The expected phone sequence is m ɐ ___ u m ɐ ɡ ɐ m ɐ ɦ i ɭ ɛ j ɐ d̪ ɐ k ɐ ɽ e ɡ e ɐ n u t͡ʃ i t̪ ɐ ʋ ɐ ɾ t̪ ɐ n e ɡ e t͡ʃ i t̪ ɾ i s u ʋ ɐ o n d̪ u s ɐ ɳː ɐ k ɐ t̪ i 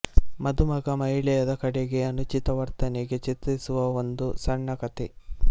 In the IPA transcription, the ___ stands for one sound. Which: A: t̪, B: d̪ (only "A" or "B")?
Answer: B